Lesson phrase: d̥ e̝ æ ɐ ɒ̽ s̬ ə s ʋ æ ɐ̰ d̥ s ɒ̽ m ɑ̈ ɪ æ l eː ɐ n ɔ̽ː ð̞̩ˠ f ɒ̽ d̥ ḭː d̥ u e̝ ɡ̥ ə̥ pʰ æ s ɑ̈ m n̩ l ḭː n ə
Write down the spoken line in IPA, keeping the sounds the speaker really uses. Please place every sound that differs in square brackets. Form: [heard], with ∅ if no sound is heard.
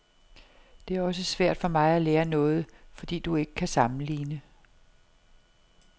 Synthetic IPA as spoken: d̥ e̝ æ ɐ ɒ̽ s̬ ə s ʋ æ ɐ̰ d̥ [f] ɒ̽ m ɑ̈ ɪ æ l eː ɐ n ɔ̽ː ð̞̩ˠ f ɒ̽ d̥ ḭː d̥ u e̝ ɡ̥ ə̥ [kʰ] æ s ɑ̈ m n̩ l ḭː n ə